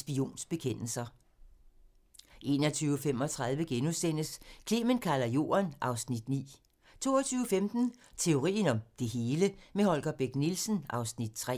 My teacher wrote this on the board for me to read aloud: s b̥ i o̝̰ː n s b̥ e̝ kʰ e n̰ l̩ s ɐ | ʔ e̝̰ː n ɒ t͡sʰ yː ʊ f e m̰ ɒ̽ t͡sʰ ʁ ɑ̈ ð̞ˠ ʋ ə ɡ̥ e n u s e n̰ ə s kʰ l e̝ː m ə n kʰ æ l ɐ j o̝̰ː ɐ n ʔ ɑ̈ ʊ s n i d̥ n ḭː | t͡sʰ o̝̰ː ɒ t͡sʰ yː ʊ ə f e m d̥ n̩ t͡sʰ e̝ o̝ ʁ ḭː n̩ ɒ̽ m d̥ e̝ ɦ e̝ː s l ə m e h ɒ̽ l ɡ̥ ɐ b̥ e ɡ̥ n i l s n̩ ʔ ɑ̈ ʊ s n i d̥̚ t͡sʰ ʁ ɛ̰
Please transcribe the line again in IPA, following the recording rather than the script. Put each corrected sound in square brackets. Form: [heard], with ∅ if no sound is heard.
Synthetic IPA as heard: s b̥ i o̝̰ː n s b̥ e̝ kʰ e n̰ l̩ s ɐ | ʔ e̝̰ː n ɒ t͡sʰ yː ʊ f e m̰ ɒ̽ t͡sʰ ʁ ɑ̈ ð̞ˠ ʋ ə ɡ̥ e n u s e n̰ ə s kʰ l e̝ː m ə n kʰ æ l ɐ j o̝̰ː ɐ n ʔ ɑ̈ ʊ s n i d̥ n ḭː | t͡sʰ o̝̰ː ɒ t͡sʰ yː ʊ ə f e m d̥ n̩ t͡sʰ e̝ o̝ ʁ ḭː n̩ ɒ̽ m d̥ e̝ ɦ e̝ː [∅] l ə m e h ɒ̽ l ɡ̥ ɐ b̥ e ɡ̥ n i l s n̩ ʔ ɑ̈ ʊ s n i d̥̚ t͡sʰ ʁ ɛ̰